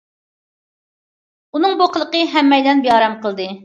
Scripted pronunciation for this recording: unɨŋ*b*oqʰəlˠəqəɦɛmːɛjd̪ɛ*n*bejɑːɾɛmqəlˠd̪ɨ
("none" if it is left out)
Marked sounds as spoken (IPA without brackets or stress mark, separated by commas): b, n